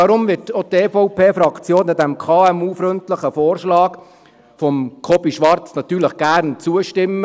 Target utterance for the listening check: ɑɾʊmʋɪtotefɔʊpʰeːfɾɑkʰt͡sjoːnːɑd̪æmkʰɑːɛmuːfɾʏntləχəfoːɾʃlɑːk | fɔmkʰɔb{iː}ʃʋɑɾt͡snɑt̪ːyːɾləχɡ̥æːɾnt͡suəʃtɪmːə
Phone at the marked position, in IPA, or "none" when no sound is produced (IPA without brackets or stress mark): i